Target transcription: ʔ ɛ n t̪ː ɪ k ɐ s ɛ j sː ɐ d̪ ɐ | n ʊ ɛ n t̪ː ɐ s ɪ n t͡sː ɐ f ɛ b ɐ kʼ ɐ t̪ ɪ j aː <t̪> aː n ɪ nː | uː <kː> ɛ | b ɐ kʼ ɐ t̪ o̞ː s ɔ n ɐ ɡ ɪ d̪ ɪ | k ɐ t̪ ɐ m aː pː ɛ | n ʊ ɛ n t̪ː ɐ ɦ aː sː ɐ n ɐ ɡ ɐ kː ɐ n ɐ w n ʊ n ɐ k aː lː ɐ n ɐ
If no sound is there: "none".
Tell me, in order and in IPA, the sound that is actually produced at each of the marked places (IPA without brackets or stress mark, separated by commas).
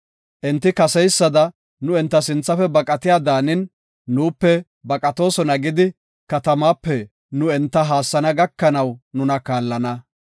d̪, pː